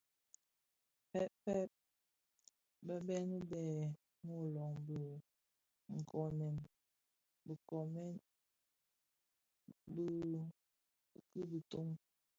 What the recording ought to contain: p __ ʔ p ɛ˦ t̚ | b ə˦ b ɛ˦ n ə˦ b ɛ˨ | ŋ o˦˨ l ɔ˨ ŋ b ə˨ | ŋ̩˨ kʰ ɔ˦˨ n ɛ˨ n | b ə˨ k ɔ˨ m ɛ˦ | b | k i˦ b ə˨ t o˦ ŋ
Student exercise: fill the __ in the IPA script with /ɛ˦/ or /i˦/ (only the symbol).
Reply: ɛ˦